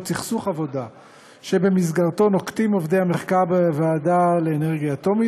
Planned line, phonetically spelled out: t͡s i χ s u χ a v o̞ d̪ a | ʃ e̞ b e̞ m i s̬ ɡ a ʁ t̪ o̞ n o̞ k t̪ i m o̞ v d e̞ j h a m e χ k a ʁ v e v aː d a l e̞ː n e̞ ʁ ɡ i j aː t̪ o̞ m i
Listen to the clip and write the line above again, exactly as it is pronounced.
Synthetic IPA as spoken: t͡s i χ s u χ a v o̞ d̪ a | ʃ e̞ b e̞ m i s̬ ɡ a ʁ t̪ o̞ n o̞ k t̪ i m o̞ v d e̞ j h a m e χ k a ʁ b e v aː d a l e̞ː n e̞ ʁ ɡ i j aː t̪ o̞ m i

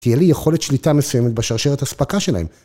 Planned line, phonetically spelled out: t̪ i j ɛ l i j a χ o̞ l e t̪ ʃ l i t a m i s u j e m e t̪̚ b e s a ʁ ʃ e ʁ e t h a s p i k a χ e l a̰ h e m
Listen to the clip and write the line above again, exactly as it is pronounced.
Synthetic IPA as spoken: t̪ i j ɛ l i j e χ o̞ l e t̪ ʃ l i t a m e s u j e m e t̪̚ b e ʃ a ʁ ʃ e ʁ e t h a s p a k a ʃ e l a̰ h e m

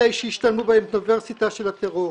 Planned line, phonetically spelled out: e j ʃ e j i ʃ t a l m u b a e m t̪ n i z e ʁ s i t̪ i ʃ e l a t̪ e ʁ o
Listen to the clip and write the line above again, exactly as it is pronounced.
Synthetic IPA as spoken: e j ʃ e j i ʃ t a l m u b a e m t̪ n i v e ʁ s i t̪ a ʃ e l a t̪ e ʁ o

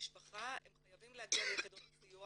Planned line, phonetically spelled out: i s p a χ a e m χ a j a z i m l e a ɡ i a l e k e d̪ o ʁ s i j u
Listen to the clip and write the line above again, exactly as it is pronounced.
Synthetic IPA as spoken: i ʃ p a χ a e m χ a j a v i m l e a ɡ i a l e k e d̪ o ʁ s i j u

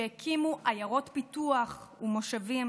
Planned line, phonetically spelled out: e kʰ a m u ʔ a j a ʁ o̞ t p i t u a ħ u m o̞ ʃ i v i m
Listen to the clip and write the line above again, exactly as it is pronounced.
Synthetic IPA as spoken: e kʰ i m u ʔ a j a ʁ o̞ t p i t u a χ u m o̞ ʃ a v i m

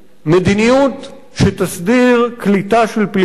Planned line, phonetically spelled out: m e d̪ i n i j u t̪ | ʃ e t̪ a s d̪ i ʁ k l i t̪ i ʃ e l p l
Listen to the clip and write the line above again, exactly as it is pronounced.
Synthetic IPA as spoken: m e d̪ i n i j u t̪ | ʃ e t̪ a s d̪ i ʁ k l i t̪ a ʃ e l p l

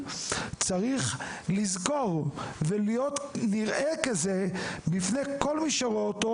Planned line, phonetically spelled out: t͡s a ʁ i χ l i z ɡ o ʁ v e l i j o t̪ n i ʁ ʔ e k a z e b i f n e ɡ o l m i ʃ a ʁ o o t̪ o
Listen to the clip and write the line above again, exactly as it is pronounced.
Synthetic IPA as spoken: t͡s a ʁ i χ l i z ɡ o ʁ v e l i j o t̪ n i ʁ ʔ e k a z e b i f n e k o l m i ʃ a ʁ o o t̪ o

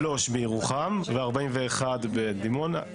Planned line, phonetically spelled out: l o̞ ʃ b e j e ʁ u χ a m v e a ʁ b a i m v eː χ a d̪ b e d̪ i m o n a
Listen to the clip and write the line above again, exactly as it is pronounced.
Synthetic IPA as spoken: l o̞ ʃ b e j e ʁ u χ a m v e a ʁ b a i m v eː χ a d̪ b e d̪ i m o n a

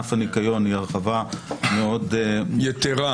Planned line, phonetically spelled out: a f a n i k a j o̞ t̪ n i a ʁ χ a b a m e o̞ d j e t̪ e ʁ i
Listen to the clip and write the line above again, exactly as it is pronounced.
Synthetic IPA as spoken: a f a n i k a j o̞ n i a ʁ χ a v a m e o̞ d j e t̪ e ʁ a

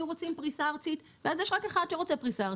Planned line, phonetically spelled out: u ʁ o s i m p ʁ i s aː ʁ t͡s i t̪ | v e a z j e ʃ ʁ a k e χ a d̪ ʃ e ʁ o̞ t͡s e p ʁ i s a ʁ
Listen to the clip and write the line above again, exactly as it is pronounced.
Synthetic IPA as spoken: u ʁ o t͡s i m p ʁ i s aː ʁ t͡s i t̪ | v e a z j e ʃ ʁ a k e χ a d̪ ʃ e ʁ o̞ t͡s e p ʁ i s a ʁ

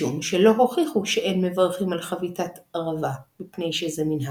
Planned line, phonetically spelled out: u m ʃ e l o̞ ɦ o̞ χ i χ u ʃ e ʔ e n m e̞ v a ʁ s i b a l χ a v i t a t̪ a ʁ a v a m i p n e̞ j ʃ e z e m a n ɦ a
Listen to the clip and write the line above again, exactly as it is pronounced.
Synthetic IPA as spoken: u m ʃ e l o̞ ɦ o̞ χ i χ u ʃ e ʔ e n m e̞ v a ʁ χ i m a l χ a v i t a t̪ a ʁ a v a m i p n e̞ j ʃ e z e m i n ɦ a

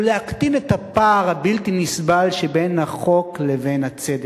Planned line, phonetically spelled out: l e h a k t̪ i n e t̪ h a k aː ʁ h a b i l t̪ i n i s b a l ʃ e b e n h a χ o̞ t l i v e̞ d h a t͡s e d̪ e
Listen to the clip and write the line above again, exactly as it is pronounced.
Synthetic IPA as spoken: l e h a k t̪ i n e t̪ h a p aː ʁ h a b i l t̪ i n i s b a l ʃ e b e n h a χ o̞ k l e v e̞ n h a t͡s e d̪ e

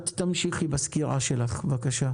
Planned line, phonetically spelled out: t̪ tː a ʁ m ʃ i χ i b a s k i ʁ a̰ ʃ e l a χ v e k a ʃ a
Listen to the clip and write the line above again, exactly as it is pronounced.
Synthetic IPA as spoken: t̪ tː a m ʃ i χ i b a s k i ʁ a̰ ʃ e l a χ v a k a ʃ a

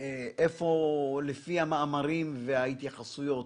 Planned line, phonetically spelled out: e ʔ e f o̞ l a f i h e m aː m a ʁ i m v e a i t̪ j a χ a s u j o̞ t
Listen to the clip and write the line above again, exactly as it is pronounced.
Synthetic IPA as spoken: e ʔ e f o̞ l e f i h a m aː m a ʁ i m v e a i t̪ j a χ a s u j o̞ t

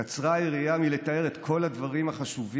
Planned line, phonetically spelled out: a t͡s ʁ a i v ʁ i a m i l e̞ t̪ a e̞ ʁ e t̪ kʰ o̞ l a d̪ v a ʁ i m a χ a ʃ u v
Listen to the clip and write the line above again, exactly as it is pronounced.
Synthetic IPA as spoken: a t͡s ʁ a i ʁ i a m i l e̞ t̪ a e̞ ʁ e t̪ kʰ o̞ l a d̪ v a ʁ i m a χ a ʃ u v

